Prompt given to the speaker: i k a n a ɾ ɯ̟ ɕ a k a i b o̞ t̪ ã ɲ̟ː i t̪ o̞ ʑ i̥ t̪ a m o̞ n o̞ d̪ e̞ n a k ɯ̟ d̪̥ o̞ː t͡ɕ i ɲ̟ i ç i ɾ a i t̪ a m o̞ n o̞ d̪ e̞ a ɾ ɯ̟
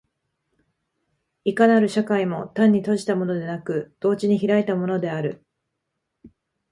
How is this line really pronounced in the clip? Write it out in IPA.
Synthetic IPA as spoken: i k a n a ɾ ɯ̟ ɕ a k a i m o̞ t̪ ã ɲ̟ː i t̪ o̞ ʑ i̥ t̪ a m o̞ n o̞ d̪ e̞ n a k ɯ̟ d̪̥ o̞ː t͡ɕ i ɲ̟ i ç i ɾ a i t̪ a m o̞ n o̞ d̪ e̞ a ɾ ɯ̟

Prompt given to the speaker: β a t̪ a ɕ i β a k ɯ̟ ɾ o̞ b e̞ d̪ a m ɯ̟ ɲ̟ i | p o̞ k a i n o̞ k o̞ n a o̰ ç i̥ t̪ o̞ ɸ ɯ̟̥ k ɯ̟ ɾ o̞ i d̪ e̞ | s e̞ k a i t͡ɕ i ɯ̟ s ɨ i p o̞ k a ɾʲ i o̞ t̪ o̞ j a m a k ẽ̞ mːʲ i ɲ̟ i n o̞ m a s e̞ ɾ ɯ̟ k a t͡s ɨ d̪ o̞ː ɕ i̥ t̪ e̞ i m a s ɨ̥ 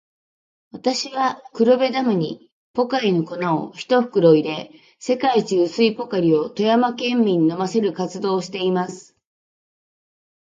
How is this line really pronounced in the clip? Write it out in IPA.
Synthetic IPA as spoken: β a t̪ a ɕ i β a k ɯ̟ ɾ o̞ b e̞ d̪ a m ɯ̟ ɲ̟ i | p o̞ k a i n o̞ k o̞ n a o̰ ç i̥ t̪ o̞ ɸ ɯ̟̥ k ɯ̟ ɾ o̞ i d̪ e̞ | s e̞ k a i t͡ɕ i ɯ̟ s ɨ i p o̞ k a ɾʲ i o̞ t̪ o̞ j a m a k ẽ̞ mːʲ i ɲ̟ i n o̞ m a s e̞ ɾ ɯ̟ k a t͡s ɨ d̪ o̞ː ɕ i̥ t̪ e̞ i m a s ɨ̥

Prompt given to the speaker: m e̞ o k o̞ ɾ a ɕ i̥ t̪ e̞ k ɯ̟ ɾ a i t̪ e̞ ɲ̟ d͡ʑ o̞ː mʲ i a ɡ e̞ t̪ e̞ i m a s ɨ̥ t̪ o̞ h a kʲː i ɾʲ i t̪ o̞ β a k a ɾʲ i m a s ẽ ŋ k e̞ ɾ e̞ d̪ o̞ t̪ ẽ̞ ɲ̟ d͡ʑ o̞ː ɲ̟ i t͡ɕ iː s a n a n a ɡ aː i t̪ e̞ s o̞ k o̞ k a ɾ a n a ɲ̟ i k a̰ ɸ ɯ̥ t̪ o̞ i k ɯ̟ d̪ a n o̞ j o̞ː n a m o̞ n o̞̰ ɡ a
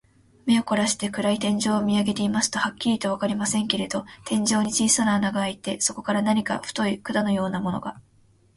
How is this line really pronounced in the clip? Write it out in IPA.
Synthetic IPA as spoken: m e̞ o k o̞ ɾ a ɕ i̥ t̪ e̞ k ɯ̟ ɾ a i t̪ ẽ̞ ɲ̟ d͡ʑ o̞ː mʲ i a ɡ e̞ t̪ e̞ i m a s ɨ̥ t̪ o̞ h a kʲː i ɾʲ i t̪ o̞ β a k a ɾʲ i m a s ẽ ŋ k e̞ ɾ e̞ d̪ o̞ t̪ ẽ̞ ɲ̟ d͡ʑ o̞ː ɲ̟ i t͡ɕ iː s a n a n a ɡ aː i t̪ e̞ s o̞ k o̞ k a ɾ a n a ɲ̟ i k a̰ ɸ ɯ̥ t̪ o̞ i k ɯ̟ d̪ a n o̞ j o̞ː n a m o̞ n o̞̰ ɡ a

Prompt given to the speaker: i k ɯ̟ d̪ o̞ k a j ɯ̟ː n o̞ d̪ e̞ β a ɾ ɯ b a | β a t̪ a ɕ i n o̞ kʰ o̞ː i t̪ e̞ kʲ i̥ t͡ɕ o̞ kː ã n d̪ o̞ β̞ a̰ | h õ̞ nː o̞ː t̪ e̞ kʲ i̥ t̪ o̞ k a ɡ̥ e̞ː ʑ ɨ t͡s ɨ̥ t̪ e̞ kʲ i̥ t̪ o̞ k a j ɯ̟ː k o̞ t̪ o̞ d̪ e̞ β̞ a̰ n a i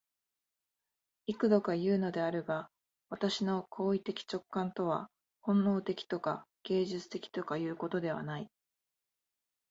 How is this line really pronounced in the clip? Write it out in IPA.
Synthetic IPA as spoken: i k ɯ̟ d̪ o̞ k a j ɯ̟ː n o̞ d̪ e̞ a ɾ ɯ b a | β a t̪ a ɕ i n o̞ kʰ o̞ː i t̪ e̞ kʲ i̥ t͡ɕ o̞ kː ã n t̪ o̞ β̞ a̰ | h õ̞ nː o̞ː t̪ e̞ kʲ i̥ t̪ o̞ k a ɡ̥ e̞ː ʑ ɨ t͡s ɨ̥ t̪ e̞ kʲ i̥ t̪ o̞ k a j ɯ̟ː k o̞ t̪ o̞ d̪ e̞ β̞ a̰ n a i

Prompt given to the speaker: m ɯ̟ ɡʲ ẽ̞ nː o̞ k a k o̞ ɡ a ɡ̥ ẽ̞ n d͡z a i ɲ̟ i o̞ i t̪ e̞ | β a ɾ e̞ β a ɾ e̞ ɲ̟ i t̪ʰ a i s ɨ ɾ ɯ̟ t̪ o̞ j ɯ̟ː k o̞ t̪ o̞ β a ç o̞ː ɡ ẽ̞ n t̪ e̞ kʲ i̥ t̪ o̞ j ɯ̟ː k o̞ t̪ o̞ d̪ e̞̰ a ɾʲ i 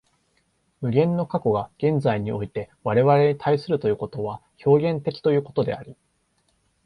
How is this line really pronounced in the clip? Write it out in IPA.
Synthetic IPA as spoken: m ɯ̟ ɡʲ ẽ̞ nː o̞ k a k o̞ ɡ a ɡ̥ ẽ̞ n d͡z a i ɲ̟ i o̞ i t̪ e̞ | β a ɾ e̞ β a ɾ e̞ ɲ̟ i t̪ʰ a i s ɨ ɾ ɯ̟ t̪ o̞ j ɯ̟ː k o̞ t̪ o̞ β a ç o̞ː ɡ ẽ̞ n t̪ e̞ kʲ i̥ t̪ o̞ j ɯ̟ː k o̞ t̪ o̞ d̪ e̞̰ a ɾʲ i

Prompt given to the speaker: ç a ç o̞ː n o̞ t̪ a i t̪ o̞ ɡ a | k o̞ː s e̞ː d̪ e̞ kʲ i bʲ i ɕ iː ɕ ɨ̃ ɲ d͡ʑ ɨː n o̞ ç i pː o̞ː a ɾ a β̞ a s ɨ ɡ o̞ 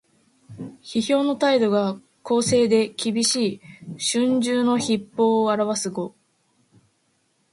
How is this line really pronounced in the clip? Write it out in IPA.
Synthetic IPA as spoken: ç i ç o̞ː n o̞ t̪ a i d̪ o̞ ɡ a | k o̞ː s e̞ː d̪ e̞ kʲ i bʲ i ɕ iː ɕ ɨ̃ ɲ d͡ʑ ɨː n o̞ ç i pː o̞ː a ɾ a β̞ a s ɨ ɡ o̞

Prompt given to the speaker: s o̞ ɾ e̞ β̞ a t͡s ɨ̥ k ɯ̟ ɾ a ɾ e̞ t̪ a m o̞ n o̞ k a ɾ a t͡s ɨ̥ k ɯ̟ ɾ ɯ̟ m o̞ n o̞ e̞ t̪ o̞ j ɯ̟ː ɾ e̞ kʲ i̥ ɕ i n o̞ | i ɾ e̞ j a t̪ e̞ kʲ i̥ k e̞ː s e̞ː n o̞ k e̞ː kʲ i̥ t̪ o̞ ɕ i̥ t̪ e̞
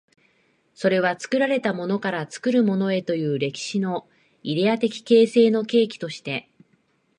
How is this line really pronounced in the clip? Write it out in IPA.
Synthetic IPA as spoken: s o̞ ɾ e̞ β̞ a t͡s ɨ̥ k ɯ̟ ɾ a ɾ e̞ t̪ a m o̞ n o̞ k a ɾ a t͡s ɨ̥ k ɯ̟ ɾ ɯ̟ m o̞ n o̞ e̞ t̪ o̞ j ɯ̟ː ɾ e̞ kʲ i̥ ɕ i n o̞ | i ɾ e̞ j a t̪ e̞ kʲ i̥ k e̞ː s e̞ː n o̞ k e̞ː kʲ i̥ t̪ o̞ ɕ i̥ t̪ e̞

